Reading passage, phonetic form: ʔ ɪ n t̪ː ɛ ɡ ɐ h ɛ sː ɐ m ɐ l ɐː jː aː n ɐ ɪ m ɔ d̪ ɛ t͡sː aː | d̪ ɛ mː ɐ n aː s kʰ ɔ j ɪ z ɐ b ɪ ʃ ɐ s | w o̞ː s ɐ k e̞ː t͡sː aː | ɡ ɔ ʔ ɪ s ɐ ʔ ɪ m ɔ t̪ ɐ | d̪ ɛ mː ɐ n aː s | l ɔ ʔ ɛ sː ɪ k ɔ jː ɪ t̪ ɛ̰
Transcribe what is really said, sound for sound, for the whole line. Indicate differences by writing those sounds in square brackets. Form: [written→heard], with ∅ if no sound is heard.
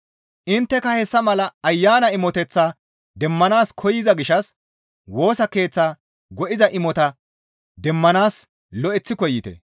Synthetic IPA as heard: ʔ ɪ n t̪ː ɛ [ɡ→k] ɐ h ɛ sː ɐ m ɐ l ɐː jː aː n ɐ ɪ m ɔ [d̪→t̪] ɛ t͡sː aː | d̪ ɛ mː ɐ n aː s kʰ ɔ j ɪ z ɐ [b→ɡ] ɪ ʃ ɐ s | w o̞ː s ɐ k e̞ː t͡sː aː | ɡ ɔ ʔ ɪ [s→z] ɐ ʔ ɪ m ɔ t̪ ɐ | d̪ ɛ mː ɐ n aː s | l ɔ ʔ ɛ [sː→t͡sː] ɪ k ɔ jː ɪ t̪ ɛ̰